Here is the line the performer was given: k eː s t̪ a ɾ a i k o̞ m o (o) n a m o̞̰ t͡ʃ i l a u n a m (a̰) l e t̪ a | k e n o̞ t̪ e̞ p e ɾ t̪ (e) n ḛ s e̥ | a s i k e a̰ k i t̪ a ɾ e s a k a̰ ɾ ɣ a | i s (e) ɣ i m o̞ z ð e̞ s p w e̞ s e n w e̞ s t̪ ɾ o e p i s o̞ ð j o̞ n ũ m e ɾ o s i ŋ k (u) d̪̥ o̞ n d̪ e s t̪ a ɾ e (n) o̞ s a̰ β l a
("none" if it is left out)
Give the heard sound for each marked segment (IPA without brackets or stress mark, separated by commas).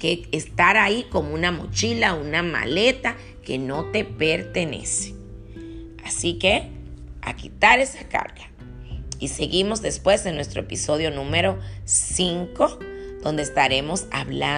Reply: u, a̰, e, e, o, m